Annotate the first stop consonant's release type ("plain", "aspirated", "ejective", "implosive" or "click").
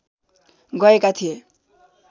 plain